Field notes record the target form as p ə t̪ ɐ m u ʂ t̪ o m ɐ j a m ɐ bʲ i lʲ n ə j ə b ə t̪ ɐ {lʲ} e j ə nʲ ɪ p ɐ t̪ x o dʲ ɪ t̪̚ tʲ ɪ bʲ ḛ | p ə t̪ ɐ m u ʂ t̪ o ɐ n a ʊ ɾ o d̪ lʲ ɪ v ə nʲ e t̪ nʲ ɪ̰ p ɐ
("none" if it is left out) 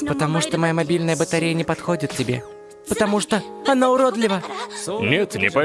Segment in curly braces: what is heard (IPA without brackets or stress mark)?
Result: ɾʲ